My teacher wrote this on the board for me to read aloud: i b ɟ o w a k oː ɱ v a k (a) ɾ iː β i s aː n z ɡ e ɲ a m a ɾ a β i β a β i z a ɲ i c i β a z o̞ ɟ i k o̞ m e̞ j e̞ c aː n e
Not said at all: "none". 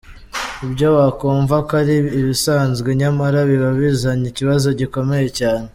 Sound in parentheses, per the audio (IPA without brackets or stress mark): a